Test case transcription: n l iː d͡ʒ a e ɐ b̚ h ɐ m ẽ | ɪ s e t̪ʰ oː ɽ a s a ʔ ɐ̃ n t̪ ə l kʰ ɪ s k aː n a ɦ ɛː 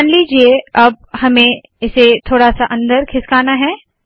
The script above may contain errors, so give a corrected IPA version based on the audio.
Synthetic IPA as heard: n l iː d͡ʒ i e ɐ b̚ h ɐ m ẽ | ɪ s e t̪ʰ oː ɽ a s a ʔ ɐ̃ n d̪ ə ɾ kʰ ɪ s k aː n a ɦ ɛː